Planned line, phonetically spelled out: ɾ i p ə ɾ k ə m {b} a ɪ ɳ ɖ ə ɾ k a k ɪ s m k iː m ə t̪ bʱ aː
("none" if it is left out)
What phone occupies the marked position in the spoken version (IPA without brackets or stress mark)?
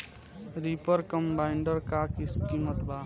b